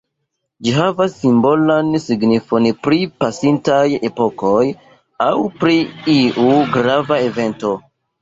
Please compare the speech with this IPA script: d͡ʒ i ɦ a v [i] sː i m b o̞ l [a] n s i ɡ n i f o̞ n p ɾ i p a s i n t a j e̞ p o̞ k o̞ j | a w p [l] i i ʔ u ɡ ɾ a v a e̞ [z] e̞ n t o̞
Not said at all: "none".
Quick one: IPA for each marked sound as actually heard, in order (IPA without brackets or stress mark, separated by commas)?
a, a, ɾ, v